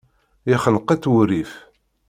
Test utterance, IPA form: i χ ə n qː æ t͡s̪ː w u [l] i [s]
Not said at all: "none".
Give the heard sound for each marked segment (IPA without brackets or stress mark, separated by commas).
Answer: ɾ, f